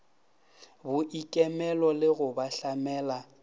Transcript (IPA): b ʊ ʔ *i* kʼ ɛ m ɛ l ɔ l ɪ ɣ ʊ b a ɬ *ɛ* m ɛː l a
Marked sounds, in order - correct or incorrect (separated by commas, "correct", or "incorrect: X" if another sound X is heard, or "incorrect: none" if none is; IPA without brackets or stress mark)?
correct, incorrect: a